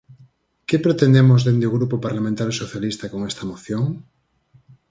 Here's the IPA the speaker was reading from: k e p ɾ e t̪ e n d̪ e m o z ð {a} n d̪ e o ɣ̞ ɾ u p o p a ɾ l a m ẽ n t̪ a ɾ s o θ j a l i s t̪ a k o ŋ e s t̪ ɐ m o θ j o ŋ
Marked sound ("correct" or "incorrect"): incorrect